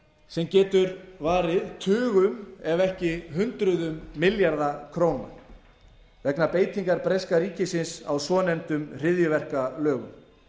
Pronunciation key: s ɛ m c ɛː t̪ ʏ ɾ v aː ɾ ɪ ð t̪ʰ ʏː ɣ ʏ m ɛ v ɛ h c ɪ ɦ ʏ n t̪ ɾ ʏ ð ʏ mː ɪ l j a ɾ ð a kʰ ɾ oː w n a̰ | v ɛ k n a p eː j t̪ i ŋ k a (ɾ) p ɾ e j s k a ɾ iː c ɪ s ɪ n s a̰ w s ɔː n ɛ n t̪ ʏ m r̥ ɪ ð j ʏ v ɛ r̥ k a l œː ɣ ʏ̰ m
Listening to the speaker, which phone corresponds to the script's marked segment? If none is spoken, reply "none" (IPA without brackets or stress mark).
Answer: ɾ